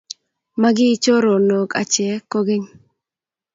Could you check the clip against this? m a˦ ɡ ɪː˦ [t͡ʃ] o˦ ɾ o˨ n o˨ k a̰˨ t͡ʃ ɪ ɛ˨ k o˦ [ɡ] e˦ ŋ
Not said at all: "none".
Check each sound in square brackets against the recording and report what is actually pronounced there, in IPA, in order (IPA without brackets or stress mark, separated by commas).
t͡ʃ, ɡ